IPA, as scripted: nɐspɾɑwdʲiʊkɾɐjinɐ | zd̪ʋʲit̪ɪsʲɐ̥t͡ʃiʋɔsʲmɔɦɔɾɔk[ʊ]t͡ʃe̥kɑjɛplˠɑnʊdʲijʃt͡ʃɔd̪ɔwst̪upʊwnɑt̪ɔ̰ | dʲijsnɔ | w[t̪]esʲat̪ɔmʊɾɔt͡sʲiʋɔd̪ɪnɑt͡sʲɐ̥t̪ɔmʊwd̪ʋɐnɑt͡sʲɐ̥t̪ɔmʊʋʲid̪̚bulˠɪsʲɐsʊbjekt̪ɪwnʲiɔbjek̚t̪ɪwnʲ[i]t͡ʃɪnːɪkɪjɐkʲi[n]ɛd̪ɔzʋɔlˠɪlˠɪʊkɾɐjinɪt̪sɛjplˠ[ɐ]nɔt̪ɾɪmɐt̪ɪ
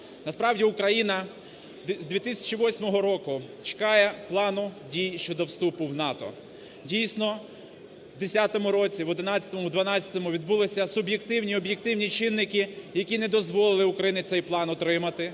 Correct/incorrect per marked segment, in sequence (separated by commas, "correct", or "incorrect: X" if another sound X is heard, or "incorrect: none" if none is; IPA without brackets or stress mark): correct, incorrect: d̪, correct, correct, incorrect: ɑ